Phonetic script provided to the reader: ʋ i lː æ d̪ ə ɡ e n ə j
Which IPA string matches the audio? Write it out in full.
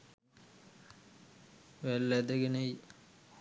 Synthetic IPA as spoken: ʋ æ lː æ d̪ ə ɡ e n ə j